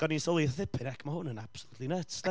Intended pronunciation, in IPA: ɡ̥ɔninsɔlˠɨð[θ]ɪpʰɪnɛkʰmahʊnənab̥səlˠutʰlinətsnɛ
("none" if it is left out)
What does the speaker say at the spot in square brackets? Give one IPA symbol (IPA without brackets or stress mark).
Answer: θ